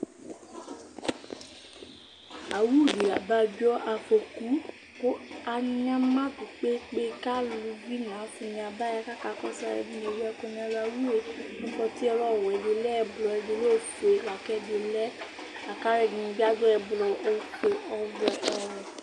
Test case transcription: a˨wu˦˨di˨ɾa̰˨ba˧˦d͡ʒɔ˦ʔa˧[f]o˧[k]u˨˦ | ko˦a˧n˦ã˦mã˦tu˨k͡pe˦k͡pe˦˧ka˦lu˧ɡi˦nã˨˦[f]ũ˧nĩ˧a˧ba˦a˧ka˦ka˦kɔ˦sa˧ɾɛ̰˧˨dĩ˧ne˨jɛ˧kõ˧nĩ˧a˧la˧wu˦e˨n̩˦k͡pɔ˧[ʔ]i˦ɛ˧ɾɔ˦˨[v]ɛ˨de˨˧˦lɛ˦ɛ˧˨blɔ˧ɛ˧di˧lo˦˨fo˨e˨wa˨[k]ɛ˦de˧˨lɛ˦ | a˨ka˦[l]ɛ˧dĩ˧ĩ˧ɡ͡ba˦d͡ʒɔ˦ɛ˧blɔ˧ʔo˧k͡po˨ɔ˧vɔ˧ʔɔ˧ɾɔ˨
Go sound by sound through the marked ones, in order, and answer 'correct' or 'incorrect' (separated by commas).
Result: correct, correct, correct, incorrect, incorrect, correct, incorrect